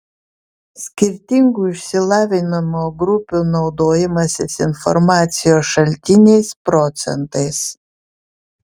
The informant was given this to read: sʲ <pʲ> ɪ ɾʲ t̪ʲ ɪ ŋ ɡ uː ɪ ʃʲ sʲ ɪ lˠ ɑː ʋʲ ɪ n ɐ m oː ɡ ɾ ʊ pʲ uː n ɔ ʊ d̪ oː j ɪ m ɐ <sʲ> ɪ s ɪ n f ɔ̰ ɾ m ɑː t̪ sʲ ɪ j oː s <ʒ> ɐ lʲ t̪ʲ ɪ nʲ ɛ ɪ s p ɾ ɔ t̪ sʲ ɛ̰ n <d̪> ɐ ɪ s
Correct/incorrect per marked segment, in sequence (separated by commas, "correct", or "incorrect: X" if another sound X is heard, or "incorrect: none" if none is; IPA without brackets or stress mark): incorrect: kʲ, correct, incorrect: ʃ, incorrect: t̪